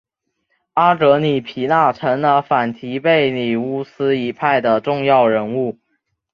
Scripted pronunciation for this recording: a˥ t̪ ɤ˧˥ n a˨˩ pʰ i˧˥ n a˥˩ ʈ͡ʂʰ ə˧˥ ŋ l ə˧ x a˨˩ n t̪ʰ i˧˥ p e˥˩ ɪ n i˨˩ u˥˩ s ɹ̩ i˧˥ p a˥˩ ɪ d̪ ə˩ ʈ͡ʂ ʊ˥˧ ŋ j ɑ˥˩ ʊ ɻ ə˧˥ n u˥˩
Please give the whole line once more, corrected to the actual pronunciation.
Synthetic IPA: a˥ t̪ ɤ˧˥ n i˨˩ pʰ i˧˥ n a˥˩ ʈ͡ʂʰ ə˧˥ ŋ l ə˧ f a˨˩ n t̪ʰ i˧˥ p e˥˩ ɪ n i˨˩ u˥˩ s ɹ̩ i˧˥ pʰ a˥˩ ɪ d̪ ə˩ ʈ͡ʂ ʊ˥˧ ŋ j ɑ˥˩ ʊ ɻ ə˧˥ n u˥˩